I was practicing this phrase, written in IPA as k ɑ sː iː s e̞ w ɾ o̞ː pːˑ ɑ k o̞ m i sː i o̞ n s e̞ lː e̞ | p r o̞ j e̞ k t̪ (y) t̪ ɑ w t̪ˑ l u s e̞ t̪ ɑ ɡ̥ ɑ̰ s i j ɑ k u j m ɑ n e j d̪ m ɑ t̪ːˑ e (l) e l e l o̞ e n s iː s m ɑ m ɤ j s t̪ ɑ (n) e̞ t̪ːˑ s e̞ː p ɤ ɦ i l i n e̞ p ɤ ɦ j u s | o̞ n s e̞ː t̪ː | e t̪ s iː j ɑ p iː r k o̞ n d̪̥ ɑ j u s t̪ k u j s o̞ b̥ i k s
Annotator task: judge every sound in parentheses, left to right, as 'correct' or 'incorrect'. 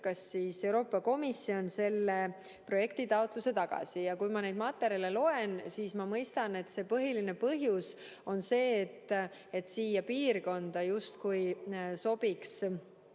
incorrect: i, incorrect: ɾ, correct

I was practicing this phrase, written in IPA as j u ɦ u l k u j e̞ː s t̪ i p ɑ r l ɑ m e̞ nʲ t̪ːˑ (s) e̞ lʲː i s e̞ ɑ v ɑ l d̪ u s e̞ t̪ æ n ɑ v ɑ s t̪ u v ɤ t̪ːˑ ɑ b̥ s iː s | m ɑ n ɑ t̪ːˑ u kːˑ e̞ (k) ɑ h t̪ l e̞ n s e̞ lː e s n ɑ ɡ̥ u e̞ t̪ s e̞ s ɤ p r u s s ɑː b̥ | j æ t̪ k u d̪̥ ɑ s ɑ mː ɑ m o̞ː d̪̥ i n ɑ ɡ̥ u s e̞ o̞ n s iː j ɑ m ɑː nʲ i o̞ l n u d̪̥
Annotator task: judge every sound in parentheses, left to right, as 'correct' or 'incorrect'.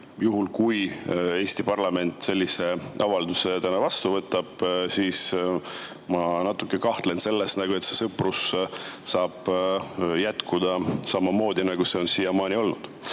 correct, correct

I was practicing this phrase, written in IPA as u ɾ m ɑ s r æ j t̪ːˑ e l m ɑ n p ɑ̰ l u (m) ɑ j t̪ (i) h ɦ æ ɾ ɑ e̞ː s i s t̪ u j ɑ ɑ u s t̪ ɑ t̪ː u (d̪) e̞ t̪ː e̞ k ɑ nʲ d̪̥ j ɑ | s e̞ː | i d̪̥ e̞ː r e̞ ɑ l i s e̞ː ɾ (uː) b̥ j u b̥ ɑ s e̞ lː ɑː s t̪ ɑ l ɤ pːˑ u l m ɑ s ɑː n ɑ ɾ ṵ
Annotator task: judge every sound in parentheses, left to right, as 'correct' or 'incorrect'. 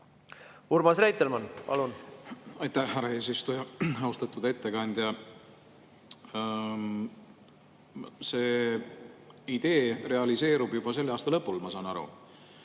incorrect: n, incorrect: æ, correct, incorrect: u

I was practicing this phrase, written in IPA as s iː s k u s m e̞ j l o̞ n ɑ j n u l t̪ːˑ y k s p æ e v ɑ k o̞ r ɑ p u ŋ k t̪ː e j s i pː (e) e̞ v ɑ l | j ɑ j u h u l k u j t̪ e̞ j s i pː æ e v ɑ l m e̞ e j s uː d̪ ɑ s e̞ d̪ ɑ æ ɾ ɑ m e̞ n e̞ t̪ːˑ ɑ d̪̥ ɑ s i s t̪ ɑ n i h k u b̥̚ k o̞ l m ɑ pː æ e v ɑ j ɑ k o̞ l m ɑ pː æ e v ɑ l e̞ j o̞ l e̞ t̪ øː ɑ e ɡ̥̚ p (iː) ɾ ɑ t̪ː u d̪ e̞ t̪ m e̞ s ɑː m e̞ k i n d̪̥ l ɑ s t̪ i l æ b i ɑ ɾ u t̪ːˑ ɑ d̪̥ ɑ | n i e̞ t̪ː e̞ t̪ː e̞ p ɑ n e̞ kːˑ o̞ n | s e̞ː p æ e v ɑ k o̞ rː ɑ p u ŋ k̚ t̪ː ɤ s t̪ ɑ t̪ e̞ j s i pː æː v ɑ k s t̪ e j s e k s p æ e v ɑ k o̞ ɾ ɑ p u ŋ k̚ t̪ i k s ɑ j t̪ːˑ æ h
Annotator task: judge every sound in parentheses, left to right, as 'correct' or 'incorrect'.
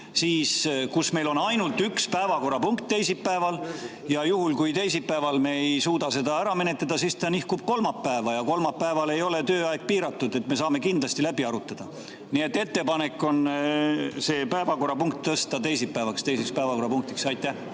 incorrect: æ, correct

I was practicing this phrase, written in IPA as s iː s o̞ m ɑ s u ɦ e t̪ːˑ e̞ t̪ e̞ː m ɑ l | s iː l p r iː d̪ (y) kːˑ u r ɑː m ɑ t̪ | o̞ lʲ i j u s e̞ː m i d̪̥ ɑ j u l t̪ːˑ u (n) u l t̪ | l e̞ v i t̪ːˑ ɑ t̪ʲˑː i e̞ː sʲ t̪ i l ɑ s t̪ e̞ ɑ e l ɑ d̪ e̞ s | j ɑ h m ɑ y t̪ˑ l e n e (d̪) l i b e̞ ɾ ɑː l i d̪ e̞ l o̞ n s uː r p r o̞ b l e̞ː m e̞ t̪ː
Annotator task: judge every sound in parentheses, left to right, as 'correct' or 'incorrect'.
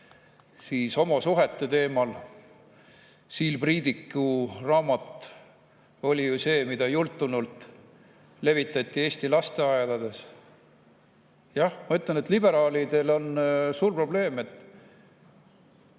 incorrect: i, correct, incorrect: t̪

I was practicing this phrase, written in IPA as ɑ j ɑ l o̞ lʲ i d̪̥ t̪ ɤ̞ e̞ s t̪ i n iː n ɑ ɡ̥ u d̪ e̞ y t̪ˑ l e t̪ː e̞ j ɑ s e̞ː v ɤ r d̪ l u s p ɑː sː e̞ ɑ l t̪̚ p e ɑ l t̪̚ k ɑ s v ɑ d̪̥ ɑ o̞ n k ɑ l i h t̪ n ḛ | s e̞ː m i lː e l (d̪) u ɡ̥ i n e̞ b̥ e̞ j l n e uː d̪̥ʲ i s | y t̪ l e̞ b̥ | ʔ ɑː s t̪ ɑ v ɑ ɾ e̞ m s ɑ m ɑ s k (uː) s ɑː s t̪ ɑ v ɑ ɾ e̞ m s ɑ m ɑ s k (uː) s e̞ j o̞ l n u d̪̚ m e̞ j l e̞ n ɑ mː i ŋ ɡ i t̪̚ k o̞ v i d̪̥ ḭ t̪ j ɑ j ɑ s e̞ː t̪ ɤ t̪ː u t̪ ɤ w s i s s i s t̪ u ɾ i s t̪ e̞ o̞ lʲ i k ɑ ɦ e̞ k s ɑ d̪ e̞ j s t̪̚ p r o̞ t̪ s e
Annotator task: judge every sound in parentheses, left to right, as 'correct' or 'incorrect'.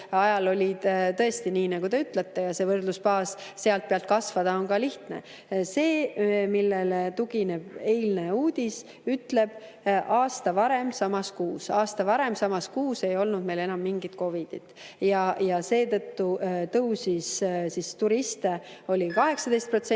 incorrect: t̪, correct, correct

